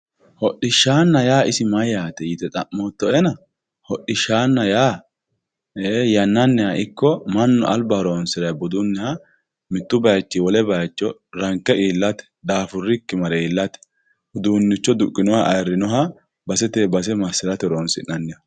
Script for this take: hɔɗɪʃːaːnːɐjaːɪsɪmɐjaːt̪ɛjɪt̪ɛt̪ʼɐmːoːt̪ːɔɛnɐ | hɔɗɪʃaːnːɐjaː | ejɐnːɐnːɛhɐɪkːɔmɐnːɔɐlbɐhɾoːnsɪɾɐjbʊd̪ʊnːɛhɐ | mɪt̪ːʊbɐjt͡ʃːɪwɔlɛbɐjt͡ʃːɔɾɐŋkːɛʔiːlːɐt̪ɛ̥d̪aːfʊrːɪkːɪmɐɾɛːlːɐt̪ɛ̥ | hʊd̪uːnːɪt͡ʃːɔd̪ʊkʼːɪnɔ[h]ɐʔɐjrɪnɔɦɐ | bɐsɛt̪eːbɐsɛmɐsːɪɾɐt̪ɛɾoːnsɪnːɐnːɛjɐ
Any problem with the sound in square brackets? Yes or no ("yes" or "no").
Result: no